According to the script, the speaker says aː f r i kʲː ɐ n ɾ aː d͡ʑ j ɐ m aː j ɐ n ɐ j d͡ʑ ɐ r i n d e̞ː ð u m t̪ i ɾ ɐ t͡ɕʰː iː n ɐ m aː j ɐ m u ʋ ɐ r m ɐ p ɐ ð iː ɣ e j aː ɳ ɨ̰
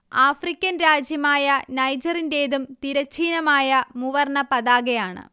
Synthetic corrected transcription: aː f r i kʲː ɐ n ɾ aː d͡ʑ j ɐ m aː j ɐ n ɐ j d͡ʑ ɐ r i n d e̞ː ð u m t̪ i ɾ ɐ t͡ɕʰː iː n ɐ m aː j ɐ m u ʋ ɐ r ɳ ɐ p ɐ ð aː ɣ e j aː ɳ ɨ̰